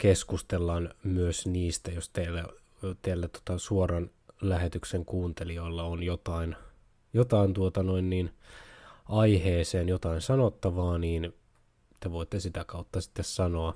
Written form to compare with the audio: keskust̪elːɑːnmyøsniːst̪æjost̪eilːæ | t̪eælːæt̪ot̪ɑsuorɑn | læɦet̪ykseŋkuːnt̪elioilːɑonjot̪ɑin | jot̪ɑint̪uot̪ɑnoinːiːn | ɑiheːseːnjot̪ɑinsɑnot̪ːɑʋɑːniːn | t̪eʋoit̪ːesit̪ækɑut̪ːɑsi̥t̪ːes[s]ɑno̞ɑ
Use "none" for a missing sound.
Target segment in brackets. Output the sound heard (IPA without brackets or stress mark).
s